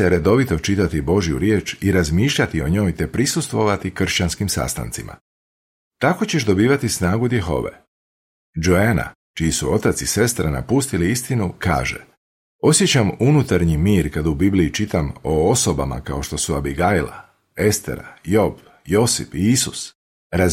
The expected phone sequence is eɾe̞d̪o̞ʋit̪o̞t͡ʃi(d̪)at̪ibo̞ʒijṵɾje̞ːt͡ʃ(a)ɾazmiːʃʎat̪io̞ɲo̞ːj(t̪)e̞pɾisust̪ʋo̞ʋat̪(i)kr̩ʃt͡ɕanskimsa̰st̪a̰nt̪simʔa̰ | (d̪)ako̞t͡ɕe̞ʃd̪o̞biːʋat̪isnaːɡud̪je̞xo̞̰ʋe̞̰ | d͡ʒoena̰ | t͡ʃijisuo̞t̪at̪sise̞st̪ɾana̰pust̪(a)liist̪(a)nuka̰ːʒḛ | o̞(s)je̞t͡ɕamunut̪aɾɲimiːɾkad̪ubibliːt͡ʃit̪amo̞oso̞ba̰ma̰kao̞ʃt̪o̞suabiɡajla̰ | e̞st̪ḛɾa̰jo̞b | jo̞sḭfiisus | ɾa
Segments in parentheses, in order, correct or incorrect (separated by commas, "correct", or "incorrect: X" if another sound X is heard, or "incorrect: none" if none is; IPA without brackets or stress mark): incorrect: t̪, incorrect: i, correct, correct, incorrect: t̪, incorrect: i, incorrect: i, correct